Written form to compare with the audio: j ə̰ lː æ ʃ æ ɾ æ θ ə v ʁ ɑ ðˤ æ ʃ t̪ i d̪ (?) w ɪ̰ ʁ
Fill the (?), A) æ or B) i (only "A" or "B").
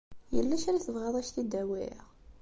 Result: A